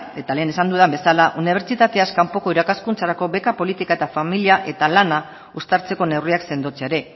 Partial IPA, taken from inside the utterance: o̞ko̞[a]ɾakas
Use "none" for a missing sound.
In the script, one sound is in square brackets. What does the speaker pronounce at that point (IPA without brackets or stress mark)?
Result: i